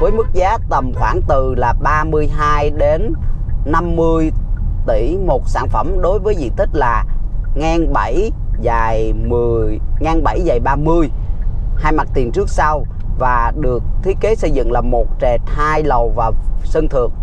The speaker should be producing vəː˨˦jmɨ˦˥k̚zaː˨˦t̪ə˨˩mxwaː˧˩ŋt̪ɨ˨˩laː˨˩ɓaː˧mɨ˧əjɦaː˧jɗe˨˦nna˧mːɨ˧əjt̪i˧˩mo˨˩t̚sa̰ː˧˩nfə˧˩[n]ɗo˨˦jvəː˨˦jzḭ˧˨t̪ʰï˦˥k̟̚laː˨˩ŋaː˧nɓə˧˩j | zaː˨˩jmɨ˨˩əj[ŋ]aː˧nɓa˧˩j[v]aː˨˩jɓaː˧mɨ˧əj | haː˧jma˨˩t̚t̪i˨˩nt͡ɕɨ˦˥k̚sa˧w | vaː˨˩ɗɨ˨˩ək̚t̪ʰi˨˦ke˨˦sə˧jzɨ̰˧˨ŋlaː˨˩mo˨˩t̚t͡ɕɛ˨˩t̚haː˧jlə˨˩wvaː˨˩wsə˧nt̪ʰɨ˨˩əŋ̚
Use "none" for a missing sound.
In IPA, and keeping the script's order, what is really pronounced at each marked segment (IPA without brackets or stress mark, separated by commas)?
m, ŋ, z